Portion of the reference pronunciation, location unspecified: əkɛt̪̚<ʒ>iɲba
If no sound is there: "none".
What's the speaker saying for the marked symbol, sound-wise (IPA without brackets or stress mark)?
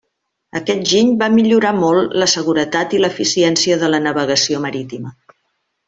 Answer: ʒ